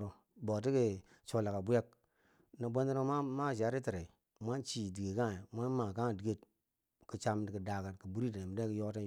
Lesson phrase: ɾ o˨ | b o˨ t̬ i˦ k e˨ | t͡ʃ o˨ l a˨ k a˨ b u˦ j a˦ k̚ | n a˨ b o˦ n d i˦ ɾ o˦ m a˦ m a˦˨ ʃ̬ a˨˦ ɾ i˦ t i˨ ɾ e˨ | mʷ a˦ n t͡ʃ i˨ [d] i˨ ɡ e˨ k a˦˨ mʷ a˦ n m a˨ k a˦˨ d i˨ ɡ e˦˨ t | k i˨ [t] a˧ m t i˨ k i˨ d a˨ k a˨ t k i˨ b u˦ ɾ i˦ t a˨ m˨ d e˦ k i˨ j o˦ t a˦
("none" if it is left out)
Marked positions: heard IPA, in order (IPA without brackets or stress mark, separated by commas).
d, t͡ʃ